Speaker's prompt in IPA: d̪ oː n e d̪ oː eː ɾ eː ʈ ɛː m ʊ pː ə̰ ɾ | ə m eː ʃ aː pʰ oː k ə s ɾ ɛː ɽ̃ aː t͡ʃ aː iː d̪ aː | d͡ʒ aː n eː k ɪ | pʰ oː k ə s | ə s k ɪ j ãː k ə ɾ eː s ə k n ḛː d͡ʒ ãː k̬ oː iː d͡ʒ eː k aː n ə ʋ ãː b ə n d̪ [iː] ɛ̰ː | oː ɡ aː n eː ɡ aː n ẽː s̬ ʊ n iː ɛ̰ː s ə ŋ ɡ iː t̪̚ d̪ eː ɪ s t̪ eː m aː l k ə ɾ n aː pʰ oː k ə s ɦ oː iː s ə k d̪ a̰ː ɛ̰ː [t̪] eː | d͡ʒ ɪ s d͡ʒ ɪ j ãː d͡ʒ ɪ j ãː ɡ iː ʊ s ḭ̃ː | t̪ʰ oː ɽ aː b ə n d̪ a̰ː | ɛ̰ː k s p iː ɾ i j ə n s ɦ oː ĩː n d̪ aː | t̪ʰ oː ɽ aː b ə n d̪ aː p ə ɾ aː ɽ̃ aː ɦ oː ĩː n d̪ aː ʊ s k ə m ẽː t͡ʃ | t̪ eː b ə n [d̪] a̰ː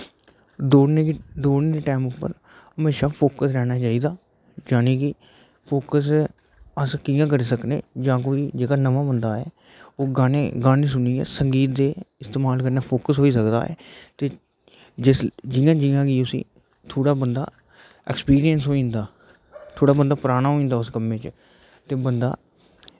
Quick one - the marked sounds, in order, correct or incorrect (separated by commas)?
incorrect, correct, correct